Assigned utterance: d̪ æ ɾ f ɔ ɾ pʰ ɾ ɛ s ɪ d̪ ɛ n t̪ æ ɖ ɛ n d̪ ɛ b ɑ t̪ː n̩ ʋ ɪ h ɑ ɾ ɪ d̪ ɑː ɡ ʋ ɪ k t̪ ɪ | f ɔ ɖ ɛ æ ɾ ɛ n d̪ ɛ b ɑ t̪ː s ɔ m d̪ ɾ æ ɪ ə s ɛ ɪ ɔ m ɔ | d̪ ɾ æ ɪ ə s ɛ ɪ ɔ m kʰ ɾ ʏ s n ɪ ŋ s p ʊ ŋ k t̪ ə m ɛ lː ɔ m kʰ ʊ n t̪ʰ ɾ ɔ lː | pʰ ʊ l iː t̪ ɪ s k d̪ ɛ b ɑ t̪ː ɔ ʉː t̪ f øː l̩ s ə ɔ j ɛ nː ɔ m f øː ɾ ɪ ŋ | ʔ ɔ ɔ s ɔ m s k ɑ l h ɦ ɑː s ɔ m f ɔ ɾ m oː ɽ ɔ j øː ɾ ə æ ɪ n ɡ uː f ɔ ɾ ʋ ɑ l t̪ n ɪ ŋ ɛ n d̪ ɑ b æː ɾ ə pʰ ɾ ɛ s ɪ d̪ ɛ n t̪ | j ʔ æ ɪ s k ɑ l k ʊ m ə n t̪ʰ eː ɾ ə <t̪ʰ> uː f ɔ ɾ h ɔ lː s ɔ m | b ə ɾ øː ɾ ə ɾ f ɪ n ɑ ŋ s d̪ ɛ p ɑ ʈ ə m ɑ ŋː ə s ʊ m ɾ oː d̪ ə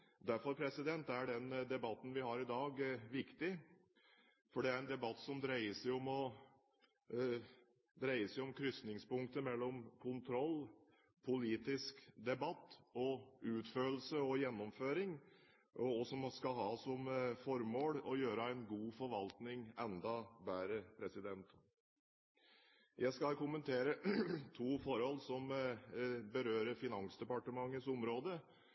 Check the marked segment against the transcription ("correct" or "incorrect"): correct